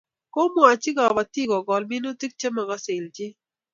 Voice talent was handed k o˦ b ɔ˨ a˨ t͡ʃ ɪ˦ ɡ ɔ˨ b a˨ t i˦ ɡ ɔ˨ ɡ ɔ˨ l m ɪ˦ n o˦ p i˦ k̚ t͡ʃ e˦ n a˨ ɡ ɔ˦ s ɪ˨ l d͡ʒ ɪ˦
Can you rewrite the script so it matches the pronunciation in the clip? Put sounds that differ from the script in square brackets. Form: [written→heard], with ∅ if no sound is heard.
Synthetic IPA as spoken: k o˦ [b→m] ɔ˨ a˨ t͡ʃ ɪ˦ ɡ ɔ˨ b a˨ t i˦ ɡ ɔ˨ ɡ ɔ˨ l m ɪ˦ n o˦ [p→t] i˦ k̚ t͡ʃ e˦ [n→m] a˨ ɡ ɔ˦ s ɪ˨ l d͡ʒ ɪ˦